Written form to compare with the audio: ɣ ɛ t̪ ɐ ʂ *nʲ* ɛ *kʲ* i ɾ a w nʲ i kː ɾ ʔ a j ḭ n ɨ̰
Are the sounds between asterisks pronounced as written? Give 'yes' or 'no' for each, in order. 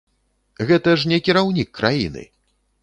yes, yes

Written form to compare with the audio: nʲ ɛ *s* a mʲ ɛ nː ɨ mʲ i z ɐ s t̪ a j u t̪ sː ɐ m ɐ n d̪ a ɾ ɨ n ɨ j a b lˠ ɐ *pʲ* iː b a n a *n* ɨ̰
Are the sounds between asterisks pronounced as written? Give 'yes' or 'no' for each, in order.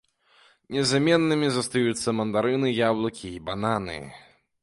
no, no, yes

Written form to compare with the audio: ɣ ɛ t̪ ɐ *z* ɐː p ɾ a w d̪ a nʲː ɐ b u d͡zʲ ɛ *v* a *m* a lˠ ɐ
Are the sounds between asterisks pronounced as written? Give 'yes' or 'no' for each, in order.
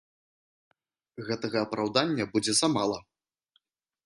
no, no, yes

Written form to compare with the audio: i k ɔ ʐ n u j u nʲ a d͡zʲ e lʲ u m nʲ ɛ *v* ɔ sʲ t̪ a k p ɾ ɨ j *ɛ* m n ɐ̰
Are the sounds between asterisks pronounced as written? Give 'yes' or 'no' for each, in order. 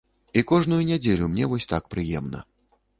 yes, yes

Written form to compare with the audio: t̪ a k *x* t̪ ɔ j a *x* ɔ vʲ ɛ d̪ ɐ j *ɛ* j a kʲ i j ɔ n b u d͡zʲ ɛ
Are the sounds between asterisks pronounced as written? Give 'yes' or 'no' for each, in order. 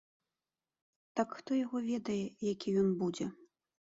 yes, no, yes

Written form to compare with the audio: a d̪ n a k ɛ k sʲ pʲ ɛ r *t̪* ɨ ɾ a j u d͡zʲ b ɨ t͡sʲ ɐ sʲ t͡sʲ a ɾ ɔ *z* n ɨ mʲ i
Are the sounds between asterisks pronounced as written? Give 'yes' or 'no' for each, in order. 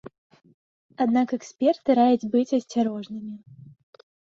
yes, no

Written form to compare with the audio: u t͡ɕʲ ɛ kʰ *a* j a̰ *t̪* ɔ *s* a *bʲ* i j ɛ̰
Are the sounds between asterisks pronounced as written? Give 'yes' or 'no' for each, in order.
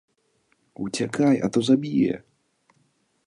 yes, yes, no, yes

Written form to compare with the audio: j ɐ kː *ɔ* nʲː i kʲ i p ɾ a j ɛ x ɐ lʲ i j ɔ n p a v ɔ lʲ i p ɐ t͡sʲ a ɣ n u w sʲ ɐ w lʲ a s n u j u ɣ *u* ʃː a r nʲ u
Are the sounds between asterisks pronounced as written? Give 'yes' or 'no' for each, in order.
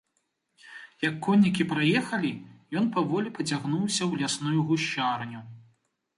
yes, yes

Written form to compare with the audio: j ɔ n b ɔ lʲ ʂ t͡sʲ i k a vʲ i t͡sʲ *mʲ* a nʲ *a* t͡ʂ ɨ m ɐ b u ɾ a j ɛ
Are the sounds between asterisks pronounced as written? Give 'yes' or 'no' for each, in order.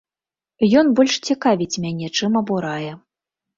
yes, no

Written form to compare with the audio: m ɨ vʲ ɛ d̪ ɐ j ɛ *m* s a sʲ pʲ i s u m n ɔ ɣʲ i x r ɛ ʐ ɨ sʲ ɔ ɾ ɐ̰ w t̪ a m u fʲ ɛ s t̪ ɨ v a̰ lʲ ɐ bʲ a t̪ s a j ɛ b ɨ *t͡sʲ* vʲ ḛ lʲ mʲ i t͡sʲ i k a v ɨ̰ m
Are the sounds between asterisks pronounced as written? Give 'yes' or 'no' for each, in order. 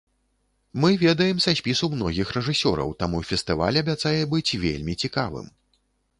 yes, yes

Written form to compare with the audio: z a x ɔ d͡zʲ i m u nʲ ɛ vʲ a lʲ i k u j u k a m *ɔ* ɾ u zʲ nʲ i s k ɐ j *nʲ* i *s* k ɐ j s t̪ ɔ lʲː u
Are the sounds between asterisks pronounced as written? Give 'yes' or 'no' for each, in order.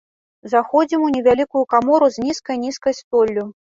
yes, yes, yes

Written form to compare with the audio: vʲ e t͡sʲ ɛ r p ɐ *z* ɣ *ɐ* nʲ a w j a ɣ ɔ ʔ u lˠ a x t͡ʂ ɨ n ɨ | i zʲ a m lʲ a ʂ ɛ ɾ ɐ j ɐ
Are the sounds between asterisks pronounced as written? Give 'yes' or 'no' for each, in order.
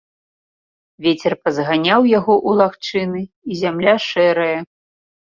yes, no

